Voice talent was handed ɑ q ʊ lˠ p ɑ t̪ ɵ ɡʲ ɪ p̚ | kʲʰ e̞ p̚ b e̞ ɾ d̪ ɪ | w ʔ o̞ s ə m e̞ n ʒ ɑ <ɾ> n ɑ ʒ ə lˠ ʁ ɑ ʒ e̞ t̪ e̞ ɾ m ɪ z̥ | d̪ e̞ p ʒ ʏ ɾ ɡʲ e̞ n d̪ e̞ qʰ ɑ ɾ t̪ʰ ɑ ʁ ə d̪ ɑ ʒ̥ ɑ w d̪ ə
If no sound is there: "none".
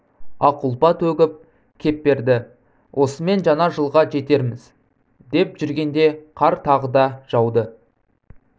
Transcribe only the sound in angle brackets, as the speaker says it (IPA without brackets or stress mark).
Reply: none